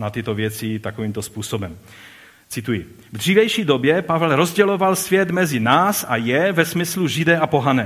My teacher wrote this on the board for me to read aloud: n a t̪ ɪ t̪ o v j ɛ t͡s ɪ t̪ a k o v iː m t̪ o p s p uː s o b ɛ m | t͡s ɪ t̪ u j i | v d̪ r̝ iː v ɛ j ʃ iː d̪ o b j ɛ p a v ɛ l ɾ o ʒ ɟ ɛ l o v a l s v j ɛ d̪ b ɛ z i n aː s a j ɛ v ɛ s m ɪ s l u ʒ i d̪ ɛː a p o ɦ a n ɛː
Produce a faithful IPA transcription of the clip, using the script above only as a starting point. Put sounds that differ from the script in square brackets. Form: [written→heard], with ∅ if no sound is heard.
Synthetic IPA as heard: n a t̪ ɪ t̪ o v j ɛ t͡s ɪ t̪ a k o v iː m t̪ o [p→∅] s p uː s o b ɛ m | t͡s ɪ t̪ u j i | v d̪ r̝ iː v ɛ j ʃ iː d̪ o b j ɛ p a v ɛ l ɾ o [ʒ→z] ɟ ɛ l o v a l s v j ɛ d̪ [b→m] ɛ z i n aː s a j ɛ v ɛ s m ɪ s l u ʒ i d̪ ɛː a p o ɦ a n ɛː